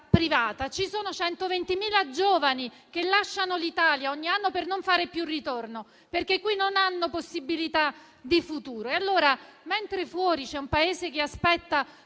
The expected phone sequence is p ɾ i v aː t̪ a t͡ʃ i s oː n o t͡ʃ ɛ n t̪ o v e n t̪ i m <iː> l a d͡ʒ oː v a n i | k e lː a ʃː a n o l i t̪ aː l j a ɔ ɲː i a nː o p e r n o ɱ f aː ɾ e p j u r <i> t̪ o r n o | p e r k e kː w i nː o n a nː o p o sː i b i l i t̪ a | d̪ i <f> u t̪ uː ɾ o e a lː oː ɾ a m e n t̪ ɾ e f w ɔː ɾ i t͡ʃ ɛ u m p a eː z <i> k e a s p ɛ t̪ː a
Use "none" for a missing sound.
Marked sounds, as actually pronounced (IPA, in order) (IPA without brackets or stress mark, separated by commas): iː, i, f, e